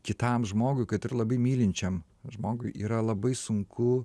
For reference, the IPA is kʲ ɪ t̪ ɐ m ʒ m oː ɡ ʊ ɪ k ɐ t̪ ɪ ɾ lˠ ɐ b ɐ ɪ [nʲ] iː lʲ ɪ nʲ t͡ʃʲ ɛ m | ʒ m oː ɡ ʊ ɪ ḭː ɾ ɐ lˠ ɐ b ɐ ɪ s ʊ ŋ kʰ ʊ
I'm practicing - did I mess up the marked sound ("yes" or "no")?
yes